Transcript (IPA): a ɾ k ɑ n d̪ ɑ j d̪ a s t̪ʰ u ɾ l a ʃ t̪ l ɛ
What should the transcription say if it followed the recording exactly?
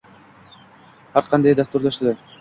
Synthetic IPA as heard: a ɾ q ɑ n d̪ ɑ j d̪ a s t̪ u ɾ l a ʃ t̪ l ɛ